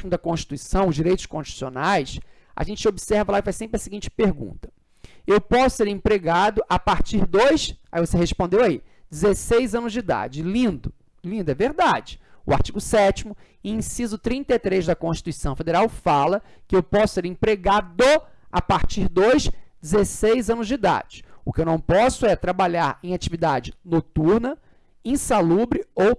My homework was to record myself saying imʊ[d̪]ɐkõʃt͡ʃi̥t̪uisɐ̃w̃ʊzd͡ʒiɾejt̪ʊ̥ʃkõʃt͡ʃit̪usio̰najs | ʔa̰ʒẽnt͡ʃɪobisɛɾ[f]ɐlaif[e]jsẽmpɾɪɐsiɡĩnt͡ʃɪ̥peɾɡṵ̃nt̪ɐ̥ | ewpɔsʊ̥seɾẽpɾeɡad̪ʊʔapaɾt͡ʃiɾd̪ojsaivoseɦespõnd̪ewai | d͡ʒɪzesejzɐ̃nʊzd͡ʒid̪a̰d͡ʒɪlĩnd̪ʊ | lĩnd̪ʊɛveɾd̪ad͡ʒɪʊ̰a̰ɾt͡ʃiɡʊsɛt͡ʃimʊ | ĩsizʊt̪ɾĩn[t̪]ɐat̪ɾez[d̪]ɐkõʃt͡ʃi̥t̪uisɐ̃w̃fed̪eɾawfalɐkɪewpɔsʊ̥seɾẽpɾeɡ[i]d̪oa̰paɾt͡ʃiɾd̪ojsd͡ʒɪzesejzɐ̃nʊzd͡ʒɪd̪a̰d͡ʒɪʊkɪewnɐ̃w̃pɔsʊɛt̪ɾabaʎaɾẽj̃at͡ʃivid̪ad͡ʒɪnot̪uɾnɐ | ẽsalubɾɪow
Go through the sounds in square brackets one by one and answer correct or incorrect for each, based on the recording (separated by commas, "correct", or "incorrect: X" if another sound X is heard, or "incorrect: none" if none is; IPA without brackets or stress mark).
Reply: correct, incorrect: v, incorrect: a, correct, correct, incorrect: a